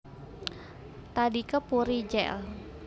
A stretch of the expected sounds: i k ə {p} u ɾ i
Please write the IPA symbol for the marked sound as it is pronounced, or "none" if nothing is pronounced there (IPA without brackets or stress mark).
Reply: p